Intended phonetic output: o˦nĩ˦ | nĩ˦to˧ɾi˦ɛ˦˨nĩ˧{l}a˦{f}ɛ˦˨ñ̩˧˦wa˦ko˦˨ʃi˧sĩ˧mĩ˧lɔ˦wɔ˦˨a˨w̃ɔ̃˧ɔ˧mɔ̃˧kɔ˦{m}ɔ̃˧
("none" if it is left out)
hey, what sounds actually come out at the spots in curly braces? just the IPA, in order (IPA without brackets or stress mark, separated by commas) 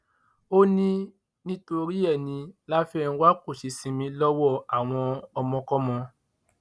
l, f, m